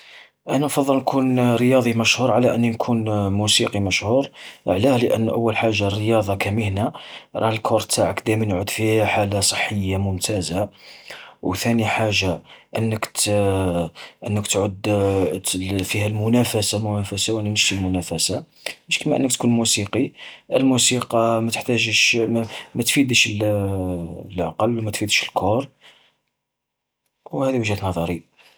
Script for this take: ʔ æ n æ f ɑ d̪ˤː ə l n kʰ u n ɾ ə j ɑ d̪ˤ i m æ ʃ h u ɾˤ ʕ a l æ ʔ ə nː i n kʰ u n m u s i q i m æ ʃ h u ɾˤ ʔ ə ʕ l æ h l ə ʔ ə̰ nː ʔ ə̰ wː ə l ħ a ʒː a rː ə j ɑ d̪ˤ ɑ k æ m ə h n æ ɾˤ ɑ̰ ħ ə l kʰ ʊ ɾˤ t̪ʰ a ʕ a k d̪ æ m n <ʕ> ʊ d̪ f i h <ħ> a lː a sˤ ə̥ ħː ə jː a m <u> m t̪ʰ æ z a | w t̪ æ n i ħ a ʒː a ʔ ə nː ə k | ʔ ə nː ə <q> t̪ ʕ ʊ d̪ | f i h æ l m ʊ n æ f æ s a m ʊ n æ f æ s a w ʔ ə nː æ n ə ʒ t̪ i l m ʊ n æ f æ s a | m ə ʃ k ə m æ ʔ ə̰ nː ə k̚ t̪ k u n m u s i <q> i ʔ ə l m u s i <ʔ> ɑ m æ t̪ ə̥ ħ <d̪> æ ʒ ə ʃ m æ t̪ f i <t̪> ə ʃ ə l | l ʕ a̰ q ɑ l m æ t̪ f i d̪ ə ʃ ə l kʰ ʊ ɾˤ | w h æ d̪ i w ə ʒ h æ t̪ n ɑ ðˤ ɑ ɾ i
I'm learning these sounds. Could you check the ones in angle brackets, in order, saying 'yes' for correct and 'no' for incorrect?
yes, yes, no, no, yes, no, no, no

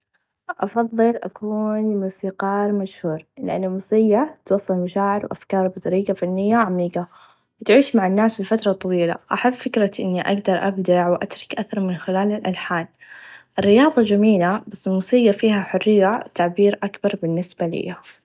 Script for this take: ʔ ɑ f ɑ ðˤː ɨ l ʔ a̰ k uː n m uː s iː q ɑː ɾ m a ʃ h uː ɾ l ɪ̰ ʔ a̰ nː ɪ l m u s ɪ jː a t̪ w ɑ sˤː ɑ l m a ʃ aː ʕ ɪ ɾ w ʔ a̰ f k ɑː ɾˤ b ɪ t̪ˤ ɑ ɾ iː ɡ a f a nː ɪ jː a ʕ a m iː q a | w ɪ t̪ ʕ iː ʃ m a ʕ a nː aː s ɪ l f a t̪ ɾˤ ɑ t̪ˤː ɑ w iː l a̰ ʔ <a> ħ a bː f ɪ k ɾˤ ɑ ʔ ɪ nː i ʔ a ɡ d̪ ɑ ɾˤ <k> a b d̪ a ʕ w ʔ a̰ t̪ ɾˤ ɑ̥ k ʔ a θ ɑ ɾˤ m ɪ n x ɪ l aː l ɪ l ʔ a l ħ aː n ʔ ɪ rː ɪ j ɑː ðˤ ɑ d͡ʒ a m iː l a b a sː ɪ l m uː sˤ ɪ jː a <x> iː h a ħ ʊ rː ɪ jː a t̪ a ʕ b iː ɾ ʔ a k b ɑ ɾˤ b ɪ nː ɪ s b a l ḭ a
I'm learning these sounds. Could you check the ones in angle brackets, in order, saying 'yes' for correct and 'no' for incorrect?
yes, no, no

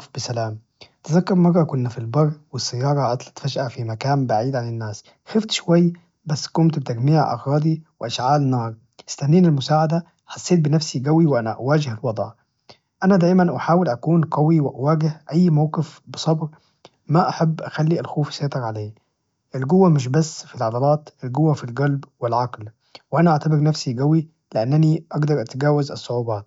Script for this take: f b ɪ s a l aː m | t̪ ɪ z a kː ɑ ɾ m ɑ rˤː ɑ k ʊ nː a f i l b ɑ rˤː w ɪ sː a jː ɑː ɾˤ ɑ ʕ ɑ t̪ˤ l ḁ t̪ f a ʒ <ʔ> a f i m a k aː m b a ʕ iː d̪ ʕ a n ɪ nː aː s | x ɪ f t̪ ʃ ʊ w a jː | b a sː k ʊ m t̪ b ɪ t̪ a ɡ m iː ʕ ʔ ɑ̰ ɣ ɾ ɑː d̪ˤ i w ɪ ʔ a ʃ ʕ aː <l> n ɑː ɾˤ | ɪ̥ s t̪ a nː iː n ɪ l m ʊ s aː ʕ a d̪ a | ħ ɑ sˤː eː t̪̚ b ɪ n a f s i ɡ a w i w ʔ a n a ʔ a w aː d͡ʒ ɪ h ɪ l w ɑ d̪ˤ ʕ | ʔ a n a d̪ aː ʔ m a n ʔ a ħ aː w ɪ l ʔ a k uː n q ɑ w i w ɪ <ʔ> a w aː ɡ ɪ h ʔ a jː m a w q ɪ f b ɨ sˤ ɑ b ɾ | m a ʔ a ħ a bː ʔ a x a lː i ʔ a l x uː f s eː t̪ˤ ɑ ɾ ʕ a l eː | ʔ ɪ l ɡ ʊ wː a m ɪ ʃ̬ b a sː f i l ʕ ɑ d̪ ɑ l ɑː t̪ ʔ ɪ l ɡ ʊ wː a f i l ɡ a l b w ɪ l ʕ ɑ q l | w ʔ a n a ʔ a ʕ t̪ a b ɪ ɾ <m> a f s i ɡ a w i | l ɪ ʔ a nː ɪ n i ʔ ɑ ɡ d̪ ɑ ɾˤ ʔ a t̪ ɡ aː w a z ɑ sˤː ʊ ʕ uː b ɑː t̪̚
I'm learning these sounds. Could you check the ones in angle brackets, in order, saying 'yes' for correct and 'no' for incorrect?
yes, yes, yes, no

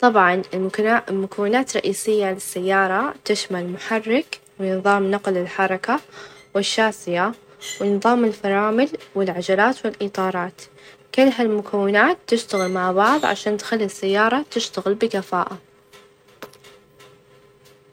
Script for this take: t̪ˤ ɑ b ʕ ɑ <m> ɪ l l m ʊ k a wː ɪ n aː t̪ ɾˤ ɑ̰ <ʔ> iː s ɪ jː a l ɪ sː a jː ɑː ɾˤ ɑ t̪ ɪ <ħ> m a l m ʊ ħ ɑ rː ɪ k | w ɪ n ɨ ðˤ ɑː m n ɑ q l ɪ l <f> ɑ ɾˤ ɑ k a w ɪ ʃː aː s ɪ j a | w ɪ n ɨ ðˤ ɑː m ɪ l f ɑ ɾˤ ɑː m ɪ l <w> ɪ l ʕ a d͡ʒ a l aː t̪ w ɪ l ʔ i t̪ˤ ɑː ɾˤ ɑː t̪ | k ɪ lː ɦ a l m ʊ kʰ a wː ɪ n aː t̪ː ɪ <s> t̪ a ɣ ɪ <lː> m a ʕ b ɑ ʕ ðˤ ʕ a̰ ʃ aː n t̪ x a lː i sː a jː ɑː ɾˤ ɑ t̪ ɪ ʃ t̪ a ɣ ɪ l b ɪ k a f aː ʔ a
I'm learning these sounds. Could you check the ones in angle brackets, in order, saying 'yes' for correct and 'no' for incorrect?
no, yes, no, no, yes, no, no

